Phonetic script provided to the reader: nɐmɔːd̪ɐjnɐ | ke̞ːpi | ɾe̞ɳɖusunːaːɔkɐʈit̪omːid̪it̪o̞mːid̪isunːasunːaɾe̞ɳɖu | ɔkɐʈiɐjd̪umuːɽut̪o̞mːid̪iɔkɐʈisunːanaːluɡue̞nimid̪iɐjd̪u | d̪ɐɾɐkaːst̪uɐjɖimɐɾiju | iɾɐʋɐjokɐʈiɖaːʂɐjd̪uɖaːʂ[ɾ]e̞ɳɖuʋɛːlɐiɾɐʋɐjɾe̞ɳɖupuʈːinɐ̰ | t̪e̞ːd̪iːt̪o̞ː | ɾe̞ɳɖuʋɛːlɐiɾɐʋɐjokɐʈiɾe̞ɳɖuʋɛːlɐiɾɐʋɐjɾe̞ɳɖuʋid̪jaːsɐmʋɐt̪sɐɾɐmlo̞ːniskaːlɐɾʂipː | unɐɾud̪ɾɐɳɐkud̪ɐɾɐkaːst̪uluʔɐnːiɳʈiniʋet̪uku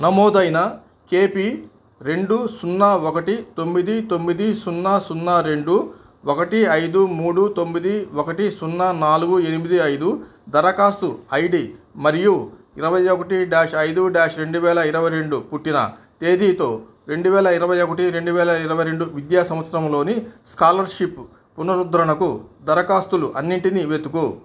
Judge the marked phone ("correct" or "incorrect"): correct